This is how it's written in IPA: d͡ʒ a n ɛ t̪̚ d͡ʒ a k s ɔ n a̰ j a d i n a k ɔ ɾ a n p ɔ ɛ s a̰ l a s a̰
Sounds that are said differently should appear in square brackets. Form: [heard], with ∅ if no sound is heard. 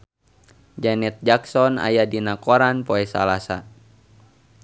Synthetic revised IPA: d͡ʒ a n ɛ t̪̚ d͡ʒ a k s ɔ n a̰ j a d i n a k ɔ ɾ a n p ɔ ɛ s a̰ l a s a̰

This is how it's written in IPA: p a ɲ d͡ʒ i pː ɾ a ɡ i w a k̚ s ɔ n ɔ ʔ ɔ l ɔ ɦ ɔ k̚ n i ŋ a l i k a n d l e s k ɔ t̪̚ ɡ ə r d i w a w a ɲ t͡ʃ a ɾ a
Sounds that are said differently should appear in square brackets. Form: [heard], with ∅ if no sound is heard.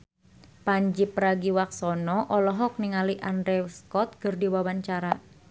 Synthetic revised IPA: p a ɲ d͡ʒ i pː ɾ a ɡ i w a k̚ s ɔ n ɔ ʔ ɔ l ɔ ɦ ɔ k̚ n i ŋ a l i [ʔ] a n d [ɾ] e s k ɔ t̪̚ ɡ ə r d i w a w a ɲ t͡ʃ a ɾ a

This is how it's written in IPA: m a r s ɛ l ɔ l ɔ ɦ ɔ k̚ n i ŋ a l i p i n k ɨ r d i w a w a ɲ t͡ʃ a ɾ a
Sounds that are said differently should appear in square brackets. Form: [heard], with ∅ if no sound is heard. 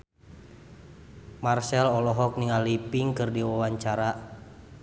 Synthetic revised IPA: m a r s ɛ l ɔ l ɔ ɦ ɔ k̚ n i ŋ a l i p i [ŋ] k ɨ r d i w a w a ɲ t͡ʃ a ɾ a

